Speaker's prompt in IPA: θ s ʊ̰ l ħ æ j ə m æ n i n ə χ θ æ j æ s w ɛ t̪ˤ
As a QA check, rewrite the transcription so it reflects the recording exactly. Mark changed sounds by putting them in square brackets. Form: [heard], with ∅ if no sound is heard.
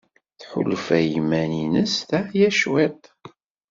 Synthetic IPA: θ [ħ] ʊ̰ l [f] æ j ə m æ n i n ə [s] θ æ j æ [ʃ] w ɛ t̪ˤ